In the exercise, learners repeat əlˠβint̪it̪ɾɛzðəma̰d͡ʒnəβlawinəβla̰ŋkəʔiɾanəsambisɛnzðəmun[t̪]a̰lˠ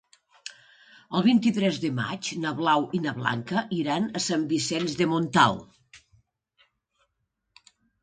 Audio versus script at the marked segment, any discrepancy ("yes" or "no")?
no